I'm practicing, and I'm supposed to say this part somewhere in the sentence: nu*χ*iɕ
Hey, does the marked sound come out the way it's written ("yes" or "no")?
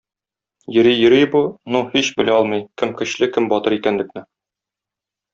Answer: no